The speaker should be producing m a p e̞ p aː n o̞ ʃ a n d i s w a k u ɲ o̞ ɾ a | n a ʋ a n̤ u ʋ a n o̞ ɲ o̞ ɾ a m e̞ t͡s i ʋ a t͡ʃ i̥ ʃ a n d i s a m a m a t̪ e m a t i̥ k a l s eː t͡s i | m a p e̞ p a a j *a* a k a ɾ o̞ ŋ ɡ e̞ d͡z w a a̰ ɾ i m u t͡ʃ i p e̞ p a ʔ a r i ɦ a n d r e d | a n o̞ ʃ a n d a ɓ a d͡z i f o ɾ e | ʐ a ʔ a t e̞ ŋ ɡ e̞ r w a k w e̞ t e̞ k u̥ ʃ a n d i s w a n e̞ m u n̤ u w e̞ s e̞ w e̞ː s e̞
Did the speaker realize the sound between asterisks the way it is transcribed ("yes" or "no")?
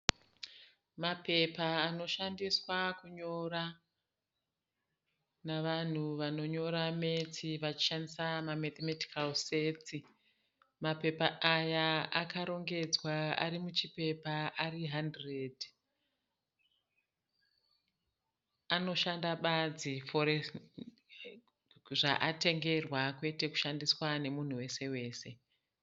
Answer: yes